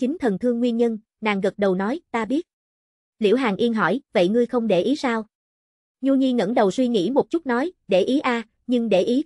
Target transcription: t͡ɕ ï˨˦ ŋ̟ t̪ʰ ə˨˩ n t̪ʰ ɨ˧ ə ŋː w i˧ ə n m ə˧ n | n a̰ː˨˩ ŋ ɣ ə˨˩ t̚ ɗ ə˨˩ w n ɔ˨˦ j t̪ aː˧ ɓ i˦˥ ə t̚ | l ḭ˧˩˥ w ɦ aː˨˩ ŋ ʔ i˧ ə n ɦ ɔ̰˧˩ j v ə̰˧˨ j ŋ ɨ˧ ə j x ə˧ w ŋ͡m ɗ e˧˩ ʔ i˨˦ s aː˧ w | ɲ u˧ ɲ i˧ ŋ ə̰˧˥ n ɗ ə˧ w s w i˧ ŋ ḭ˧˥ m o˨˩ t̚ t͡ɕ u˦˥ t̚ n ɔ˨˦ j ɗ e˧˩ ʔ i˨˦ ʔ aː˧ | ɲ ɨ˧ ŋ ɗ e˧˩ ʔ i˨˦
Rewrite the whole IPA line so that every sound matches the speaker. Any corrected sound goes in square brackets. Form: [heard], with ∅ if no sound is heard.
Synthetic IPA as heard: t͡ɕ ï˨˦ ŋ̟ t̪ʰ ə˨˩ n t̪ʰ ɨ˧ ə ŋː w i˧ ə n [ɲ] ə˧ n | n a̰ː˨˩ ŋ ɣ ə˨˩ t̚ ɗ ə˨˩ w n ɔ˨˦ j t̪ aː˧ ɓ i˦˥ ə t̚ | l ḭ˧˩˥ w ɦ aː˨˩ ŋ ʔ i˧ ə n ɦ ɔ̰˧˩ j v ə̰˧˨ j ŋ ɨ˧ ə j x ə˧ w ŋ͡m ɗ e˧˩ ʔ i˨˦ s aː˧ w | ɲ u˧ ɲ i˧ ŋ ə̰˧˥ n ɗ [ə˨˩] w s w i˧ ŋ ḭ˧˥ m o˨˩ t̚ t͡ɕ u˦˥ t̚ n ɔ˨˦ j ɗ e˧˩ ʔ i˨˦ ʔ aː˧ | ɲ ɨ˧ ŋ ɗ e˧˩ ʔ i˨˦